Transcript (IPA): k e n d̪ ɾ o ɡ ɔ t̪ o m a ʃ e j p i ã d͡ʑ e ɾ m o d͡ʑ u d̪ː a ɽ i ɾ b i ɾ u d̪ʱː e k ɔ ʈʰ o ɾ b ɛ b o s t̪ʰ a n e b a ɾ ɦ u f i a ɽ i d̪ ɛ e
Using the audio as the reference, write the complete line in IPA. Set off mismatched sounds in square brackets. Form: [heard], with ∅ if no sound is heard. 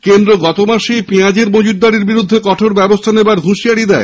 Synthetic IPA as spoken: k e n d̪ ɾ o ɡ ɔ t̪ o m a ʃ e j p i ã d͡ʑ e ɾ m o d͡ʑ u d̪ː a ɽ i ɾ b i ɾ u d̪ʱː e k ɔ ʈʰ o ɾ b ɛ b o s t̪ʰ a n e b a ɾ ɦ u [ʃ] i a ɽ i d̪ ɛ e